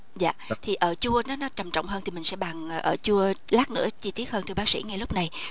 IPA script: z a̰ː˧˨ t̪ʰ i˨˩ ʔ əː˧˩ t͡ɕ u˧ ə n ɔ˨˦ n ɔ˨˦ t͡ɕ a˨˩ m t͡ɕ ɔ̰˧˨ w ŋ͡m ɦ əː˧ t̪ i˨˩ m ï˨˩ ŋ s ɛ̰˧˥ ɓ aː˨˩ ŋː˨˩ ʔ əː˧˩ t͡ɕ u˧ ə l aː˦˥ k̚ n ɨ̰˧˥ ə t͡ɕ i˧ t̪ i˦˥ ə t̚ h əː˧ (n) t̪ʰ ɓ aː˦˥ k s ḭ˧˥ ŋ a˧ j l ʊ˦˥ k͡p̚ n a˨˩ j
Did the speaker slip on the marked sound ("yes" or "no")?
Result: no